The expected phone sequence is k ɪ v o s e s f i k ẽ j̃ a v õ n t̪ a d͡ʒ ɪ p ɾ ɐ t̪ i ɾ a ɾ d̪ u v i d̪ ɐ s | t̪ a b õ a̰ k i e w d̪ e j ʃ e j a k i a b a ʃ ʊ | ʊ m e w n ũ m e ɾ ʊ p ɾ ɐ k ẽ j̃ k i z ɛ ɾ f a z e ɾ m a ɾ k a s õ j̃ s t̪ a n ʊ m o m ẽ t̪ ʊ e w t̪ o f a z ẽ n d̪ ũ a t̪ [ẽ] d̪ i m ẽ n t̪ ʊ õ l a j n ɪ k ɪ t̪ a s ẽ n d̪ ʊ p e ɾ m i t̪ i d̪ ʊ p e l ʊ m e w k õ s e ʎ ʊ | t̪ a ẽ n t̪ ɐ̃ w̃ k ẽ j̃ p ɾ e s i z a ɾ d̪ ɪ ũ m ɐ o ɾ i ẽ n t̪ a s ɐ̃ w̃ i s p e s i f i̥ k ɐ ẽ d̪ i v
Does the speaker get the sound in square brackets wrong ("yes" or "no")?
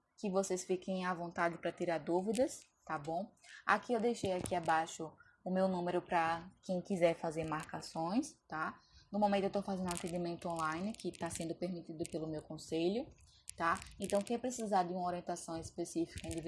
no